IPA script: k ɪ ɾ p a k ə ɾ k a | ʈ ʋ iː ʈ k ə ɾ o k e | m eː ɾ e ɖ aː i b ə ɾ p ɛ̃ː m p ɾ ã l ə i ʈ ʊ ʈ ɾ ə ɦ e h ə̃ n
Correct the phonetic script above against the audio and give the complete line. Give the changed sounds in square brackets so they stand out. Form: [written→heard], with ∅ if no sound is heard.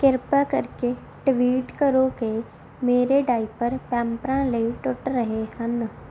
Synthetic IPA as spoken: k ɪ ɾ p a k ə ɾ k [a→e] | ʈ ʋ iː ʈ k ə ɾ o k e | m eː ɾ e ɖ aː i [b→p] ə ɾ p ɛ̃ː m p ɾ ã l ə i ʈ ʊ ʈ ɾ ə ɦ e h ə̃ n